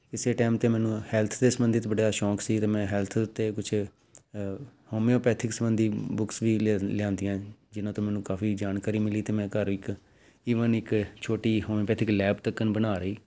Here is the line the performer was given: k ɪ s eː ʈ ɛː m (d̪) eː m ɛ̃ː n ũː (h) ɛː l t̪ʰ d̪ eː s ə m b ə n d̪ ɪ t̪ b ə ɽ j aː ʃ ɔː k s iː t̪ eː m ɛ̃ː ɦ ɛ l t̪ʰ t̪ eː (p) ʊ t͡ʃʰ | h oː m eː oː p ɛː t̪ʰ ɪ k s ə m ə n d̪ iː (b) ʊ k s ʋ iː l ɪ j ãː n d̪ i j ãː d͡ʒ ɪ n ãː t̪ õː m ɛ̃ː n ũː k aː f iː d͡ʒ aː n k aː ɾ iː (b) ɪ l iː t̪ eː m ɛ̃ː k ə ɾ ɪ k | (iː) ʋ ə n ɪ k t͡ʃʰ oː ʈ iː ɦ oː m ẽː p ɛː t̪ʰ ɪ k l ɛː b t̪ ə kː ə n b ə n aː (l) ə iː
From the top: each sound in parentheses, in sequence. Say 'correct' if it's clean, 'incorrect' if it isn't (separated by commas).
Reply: incorrect, correct, incorrect, correct, incorrect, correct, incorrect